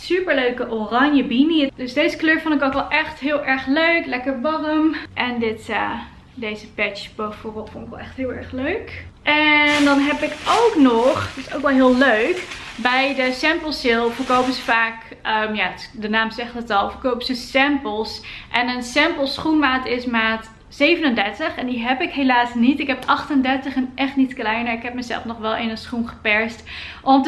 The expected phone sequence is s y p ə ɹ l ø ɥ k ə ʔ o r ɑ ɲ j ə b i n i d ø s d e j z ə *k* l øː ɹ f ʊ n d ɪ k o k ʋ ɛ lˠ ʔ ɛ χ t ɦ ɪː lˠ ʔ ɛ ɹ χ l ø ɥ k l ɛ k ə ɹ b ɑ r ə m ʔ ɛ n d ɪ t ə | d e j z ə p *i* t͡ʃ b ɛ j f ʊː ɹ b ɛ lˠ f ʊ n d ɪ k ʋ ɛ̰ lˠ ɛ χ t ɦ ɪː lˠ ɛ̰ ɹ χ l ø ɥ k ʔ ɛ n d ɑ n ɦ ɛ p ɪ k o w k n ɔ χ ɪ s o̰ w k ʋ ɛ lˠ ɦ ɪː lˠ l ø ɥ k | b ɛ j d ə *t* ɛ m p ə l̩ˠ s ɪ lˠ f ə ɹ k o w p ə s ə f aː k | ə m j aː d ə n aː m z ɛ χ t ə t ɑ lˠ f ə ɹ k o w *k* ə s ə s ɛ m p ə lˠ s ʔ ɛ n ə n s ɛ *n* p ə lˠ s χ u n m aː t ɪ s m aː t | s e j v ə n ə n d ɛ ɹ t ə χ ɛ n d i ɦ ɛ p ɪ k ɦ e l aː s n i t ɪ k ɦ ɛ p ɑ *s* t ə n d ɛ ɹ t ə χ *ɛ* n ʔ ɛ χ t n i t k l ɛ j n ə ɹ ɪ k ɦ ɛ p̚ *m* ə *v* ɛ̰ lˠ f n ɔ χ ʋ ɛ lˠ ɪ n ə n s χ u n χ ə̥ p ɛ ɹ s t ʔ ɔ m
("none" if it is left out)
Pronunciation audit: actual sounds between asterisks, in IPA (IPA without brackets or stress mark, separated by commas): k, ɛ, s, p, m, χ, ɛ, m, z